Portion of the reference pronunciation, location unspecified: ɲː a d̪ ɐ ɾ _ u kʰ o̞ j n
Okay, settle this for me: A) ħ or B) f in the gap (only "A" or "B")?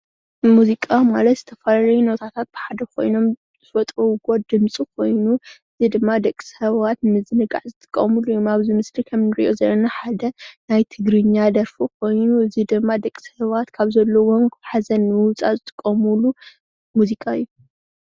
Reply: B